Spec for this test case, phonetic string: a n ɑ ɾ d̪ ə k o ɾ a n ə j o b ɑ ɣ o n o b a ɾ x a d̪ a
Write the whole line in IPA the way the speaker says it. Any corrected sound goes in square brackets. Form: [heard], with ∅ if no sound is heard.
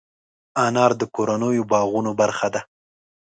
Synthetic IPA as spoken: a n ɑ ɾ d̪ ə k o ɾ a n ə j o b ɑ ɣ [u] n o b a ɾ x a d̪ a

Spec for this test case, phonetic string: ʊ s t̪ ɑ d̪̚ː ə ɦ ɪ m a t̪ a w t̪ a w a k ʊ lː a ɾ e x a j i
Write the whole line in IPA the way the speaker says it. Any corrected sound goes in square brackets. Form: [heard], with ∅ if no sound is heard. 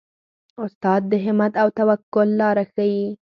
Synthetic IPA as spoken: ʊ s t̪ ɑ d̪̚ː ə ɦ ɪ m a t̪ a w t̪ a w a k ʊ lː [ɑ] ɾ [a] x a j i

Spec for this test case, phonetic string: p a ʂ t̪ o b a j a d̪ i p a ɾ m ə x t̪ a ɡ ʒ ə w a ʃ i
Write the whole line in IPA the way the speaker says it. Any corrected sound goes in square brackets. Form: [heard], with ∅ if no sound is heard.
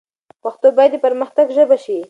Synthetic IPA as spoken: p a [x] t̪ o b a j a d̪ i p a ɾ m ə x t̪ a ɡ ʒ ə [b] a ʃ i

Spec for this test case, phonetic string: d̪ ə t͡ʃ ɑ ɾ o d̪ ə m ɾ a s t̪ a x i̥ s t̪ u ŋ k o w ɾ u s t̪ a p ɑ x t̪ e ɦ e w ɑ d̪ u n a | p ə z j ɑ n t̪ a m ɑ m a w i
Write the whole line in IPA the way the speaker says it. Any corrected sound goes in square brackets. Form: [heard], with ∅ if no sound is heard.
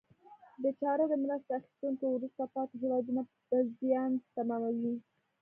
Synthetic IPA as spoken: d̪ ə t͡ʃ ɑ ɾ o d̪ ə m ɾ a s t̪ a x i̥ s t̪ u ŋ k o w ɾ u s t̪ a p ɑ [∅] t̪ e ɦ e w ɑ d̪ u n a | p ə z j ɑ n t̪ a m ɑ m a w i

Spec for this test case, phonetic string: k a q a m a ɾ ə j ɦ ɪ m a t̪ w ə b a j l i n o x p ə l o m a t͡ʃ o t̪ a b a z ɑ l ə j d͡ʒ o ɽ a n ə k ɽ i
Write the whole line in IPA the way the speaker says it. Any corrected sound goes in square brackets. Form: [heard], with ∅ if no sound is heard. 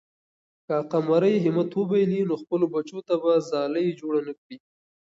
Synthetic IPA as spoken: k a q a m a ɾ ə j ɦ ɪ m a t̪ w ə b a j l i n o x p ə l o [b] a t͡ʃ o t̪ a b a z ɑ l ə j d͡ʒ o ɽ a n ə k ɽ i

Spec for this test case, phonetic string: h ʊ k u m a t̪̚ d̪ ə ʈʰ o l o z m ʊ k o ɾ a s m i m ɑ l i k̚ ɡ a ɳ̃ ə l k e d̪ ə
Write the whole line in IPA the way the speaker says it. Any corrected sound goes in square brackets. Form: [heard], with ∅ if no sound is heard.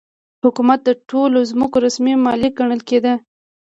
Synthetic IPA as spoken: h ʊ k u m a t̪̚ d̪ ə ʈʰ o l o z m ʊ k o ɾ a s m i m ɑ l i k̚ ɡ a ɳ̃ ə l k e d̪ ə

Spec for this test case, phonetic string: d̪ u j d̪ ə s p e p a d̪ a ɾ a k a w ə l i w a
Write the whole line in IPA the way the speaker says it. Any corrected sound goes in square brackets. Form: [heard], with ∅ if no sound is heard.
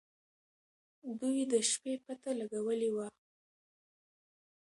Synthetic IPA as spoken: d̪ u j d̪ ə [ʃ] p e p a [t̪] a [l] a [ɡ] a w ə l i w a

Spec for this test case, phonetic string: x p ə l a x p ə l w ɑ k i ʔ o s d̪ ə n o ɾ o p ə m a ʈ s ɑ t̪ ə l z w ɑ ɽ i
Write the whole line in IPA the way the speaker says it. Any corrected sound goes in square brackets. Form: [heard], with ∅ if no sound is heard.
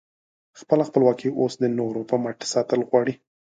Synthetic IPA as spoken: x p ə l a x p ə l w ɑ k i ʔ o s d̪ ə n o ɾ o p ə m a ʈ s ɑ t̪ ə l [ɣ] w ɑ ɽ i

